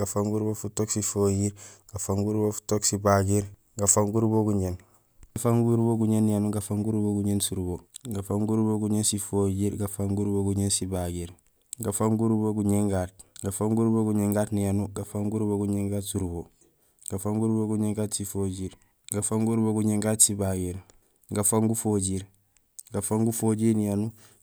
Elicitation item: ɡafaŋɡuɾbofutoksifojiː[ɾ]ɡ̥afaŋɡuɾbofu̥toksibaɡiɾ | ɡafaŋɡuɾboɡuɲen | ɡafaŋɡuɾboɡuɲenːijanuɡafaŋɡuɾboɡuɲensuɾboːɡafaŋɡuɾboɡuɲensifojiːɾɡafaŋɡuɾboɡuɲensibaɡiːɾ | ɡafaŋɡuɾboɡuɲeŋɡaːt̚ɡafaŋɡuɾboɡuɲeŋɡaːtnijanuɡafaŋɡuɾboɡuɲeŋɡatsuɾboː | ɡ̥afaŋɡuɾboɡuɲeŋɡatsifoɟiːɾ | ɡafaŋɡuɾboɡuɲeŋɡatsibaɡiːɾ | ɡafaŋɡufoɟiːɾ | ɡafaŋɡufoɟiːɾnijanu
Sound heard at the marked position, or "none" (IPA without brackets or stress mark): ɾ